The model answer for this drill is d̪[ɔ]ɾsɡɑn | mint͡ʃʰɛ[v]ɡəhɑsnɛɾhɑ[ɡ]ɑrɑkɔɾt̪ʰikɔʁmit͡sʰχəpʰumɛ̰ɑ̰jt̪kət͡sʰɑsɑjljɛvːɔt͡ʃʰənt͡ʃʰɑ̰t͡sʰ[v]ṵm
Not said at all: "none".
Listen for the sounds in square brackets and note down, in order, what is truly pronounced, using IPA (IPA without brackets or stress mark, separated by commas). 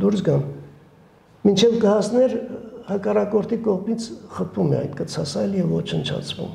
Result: u, v, k, v